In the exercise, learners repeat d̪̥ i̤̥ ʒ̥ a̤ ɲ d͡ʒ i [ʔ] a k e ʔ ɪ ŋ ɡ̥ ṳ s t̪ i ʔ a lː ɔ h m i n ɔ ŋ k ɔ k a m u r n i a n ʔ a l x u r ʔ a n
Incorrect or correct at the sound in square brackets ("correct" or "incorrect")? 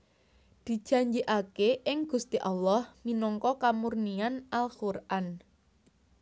correct